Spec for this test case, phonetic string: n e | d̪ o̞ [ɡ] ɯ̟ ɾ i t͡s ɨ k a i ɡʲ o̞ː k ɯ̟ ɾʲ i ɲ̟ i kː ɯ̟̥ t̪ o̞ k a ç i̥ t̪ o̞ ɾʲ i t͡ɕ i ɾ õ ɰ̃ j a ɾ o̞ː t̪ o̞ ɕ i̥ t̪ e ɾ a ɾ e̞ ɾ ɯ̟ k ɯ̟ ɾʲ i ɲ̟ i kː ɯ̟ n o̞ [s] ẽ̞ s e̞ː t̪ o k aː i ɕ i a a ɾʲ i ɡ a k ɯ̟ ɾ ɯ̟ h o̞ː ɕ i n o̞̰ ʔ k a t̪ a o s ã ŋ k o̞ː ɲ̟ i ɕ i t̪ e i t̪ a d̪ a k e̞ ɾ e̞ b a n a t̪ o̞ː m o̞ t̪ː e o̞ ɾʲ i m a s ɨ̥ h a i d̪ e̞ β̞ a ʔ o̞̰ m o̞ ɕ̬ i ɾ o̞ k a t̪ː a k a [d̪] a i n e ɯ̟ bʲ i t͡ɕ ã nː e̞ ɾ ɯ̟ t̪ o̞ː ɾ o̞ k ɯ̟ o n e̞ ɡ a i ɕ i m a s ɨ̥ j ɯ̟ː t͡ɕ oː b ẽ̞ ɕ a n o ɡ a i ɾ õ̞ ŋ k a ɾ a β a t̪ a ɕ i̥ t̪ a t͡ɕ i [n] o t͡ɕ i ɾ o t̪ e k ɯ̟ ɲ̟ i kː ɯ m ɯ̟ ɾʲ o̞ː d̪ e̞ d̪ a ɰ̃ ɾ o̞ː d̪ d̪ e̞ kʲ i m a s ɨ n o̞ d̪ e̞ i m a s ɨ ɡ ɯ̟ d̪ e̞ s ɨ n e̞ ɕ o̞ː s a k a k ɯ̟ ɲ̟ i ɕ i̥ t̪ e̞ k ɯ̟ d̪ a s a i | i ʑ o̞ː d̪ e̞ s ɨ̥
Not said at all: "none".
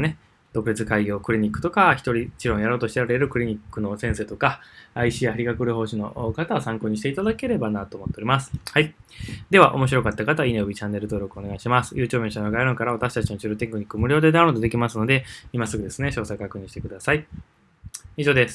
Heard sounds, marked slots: k, s, t̪, n

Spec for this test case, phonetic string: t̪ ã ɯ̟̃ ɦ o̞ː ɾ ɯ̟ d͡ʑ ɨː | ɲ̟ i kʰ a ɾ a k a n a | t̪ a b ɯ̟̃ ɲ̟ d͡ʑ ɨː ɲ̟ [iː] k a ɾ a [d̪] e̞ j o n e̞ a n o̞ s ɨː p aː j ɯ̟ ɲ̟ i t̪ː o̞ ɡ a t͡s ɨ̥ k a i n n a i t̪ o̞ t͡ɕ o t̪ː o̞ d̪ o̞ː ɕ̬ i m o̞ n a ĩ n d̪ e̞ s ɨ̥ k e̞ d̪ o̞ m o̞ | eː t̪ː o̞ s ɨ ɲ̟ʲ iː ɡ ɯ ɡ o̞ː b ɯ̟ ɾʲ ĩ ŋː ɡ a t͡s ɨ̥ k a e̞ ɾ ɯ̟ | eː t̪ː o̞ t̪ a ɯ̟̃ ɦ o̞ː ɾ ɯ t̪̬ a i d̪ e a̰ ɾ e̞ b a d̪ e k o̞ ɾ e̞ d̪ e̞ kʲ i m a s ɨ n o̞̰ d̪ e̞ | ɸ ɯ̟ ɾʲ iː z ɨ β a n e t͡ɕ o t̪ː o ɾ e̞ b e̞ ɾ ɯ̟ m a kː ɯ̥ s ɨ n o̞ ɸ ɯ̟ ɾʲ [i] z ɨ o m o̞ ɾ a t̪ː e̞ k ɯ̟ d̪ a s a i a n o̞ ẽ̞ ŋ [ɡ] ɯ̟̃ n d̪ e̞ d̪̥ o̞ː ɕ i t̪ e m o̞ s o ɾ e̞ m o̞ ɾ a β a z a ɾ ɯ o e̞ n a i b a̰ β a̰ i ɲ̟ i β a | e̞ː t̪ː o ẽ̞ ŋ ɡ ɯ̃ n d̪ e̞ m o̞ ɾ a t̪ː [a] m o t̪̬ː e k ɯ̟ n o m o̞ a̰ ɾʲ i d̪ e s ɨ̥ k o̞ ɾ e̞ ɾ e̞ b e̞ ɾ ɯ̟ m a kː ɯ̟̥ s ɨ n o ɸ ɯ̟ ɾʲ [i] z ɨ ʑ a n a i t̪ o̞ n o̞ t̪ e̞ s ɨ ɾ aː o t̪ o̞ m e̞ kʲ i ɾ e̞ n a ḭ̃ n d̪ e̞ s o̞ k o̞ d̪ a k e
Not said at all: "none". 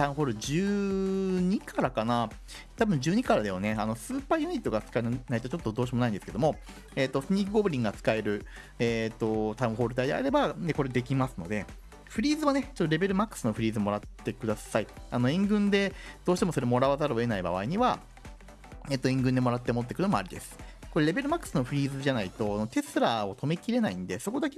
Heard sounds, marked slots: i, d̪, iː, ɡ, e, iː

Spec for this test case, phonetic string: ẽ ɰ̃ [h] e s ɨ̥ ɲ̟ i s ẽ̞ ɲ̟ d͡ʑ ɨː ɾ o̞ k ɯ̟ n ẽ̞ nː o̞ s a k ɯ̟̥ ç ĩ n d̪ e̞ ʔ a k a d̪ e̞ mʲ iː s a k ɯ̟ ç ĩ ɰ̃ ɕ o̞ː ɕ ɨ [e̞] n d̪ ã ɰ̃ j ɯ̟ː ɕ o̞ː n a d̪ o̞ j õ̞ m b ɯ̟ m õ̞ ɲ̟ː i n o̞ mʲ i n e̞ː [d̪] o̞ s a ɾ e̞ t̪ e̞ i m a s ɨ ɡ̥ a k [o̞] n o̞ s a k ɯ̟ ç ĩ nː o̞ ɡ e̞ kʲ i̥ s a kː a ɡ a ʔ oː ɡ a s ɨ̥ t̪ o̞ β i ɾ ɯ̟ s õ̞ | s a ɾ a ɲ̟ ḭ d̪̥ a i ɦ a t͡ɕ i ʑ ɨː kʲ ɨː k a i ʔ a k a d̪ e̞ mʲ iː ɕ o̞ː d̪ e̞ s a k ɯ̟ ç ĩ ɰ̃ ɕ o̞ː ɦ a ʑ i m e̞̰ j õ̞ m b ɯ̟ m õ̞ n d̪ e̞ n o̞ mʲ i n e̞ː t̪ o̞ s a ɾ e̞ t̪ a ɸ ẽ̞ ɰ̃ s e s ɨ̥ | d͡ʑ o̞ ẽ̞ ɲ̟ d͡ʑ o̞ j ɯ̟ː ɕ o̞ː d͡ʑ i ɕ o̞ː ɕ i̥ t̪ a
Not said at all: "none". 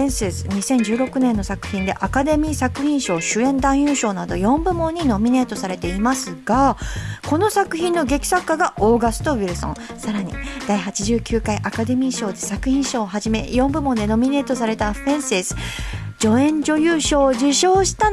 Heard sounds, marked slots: s, ẽ̞, t̪, o̞

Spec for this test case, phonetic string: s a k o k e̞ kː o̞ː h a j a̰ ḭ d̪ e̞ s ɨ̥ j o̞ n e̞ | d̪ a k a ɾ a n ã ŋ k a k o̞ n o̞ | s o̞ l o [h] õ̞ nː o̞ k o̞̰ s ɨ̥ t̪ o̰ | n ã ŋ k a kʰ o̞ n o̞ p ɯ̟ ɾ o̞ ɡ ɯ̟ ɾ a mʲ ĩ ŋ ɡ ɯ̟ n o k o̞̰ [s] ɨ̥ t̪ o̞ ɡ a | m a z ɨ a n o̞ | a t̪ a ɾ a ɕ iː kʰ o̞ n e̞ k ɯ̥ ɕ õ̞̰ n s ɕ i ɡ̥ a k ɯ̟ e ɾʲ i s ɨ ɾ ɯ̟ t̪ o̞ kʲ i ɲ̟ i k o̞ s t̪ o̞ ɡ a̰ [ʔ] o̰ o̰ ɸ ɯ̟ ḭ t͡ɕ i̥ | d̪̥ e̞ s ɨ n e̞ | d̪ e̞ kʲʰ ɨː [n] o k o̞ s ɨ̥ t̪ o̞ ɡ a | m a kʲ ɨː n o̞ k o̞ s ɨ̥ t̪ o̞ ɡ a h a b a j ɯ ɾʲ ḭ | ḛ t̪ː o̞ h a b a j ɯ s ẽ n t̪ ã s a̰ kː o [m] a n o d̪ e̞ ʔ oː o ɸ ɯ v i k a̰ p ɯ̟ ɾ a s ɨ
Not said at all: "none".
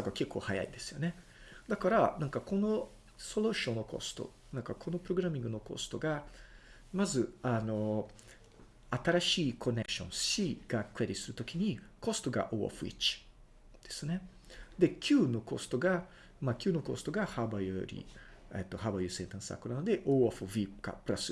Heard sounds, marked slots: ɕ, s, ʔ, n, n

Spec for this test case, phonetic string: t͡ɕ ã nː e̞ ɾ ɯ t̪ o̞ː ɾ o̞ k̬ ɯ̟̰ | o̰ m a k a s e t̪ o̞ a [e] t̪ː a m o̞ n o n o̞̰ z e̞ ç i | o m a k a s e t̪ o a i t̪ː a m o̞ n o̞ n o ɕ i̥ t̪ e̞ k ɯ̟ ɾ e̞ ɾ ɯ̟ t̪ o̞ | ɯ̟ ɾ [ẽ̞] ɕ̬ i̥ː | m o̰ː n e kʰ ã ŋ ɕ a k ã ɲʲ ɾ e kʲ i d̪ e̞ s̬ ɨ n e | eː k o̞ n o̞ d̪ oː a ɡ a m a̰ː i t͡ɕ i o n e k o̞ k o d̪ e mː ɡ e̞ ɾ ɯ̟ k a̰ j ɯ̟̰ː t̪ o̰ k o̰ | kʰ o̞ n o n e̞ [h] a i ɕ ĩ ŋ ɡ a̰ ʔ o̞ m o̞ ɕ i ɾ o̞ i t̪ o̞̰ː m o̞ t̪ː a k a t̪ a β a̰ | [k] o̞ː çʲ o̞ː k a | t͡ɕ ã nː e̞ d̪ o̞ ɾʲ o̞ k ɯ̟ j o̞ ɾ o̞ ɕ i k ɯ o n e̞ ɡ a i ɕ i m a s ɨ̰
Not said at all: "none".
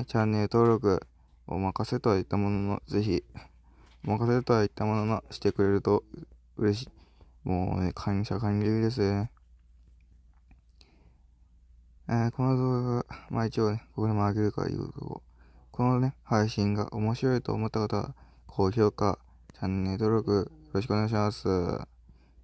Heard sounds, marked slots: i, e̞, h, kʰ

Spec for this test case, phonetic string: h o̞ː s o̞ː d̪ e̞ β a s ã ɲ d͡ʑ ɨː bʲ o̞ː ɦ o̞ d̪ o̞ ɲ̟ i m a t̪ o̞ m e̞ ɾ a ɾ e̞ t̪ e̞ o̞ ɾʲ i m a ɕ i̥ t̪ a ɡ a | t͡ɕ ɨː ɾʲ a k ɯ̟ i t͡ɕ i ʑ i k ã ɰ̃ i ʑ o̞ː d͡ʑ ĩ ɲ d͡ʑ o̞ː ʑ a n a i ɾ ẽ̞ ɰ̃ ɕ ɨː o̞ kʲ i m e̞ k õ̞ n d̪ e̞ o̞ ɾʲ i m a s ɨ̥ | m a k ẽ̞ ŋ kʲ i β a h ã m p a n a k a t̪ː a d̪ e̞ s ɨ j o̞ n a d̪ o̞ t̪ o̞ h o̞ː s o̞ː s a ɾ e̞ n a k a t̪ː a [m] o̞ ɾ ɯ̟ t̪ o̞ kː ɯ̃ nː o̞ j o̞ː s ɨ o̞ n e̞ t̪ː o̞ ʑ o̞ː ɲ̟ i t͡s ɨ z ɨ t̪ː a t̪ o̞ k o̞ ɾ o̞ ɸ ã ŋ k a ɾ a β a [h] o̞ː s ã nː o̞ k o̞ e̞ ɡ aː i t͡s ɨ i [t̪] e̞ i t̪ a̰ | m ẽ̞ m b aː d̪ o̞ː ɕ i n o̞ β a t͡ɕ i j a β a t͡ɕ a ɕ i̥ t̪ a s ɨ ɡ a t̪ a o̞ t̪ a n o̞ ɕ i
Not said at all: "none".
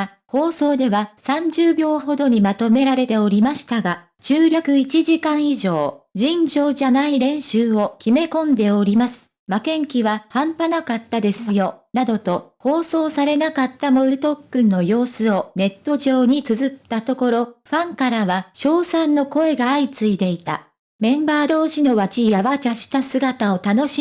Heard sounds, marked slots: m, ɕ, d̪

